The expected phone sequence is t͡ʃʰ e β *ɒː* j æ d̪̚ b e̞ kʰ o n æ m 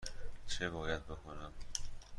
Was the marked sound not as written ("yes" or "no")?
no